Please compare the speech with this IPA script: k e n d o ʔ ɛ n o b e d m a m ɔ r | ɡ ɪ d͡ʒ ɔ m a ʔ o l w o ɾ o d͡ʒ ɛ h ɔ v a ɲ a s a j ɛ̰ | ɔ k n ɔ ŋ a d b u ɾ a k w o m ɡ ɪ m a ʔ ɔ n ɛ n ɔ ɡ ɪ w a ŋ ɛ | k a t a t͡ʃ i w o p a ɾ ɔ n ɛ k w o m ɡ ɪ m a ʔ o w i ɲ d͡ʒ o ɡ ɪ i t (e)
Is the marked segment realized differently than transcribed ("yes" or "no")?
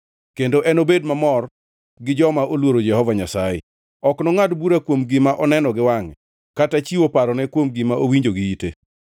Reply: no